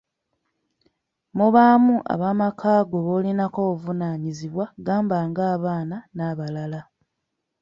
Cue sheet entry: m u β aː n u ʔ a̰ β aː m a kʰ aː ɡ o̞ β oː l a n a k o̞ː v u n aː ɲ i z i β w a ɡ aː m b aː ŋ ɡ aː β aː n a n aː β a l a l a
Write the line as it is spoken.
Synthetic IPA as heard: m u β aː m u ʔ a̰ β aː m a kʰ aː ɡ o̞ β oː l i n a k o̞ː v u n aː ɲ i z i β w a ɡ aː m b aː ŋ ɡ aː β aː n a n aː β a l a l a